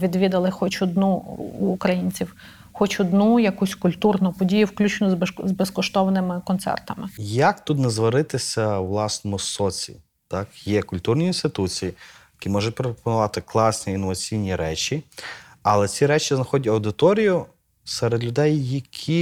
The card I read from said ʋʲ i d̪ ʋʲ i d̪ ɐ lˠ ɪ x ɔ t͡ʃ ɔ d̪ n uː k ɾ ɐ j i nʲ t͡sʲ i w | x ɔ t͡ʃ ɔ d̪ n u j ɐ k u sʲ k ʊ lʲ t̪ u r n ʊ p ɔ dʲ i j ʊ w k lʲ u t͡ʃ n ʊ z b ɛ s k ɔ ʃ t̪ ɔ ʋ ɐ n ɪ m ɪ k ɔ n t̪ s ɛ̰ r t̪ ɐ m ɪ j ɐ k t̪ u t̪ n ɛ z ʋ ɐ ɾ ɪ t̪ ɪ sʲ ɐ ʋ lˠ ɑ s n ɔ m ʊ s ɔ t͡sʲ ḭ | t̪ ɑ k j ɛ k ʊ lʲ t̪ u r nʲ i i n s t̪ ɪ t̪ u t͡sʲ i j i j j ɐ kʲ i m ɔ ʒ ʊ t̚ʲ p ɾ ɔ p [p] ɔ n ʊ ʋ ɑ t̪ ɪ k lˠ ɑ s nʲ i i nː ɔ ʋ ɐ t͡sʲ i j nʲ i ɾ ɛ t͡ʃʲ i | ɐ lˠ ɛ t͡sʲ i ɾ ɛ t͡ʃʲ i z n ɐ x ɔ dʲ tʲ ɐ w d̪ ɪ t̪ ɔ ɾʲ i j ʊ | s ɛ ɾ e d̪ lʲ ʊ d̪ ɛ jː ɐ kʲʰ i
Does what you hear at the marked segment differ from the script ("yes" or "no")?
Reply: no